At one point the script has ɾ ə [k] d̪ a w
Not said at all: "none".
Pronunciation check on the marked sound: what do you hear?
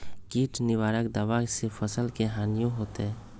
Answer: k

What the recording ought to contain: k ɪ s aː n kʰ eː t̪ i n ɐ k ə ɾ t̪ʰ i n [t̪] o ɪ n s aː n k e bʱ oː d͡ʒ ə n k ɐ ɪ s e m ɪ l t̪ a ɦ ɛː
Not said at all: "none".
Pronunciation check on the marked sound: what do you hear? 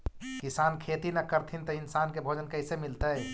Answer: t̪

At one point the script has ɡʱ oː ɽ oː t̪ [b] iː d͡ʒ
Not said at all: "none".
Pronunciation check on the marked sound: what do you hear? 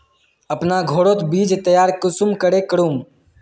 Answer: b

